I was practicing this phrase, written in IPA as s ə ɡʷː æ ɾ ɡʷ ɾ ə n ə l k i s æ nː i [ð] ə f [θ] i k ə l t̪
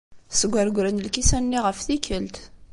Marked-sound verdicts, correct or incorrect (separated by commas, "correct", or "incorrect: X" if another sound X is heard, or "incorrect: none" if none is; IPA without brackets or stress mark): incorrect: ʁ, correct